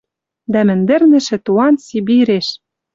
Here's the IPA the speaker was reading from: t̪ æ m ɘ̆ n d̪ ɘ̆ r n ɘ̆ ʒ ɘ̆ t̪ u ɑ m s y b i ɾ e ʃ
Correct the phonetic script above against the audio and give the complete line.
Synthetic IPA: d̪ æ m ɘ̆ n d̪ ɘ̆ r n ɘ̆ ʃ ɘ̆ t̪ u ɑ n s i b i ɾ e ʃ